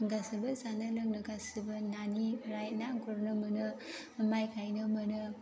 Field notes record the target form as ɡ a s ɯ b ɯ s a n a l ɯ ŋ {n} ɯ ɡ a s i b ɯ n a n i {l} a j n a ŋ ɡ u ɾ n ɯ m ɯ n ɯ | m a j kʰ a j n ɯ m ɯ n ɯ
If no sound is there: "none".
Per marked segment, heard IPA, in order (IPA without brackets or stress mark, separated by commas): n, ɾ